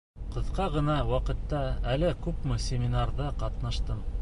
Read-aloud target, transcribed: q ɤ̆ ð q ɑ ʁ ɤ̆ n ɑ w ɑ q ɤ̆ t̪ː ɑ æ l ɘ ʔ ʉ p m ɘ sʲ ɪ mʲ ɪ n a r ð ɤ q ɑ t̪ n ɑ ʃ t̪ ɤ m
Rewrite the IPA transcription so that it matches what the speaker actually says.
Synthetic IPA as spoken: q ɤ̆ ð q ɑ ʁ ɤ̆ n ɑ w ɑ q ɤ̆ t̪ː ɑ æ l ɘ k ʉ p m ɘ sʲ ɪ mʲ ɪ n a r ð ɤ q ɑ t̪ n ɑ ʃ t̪ ɤ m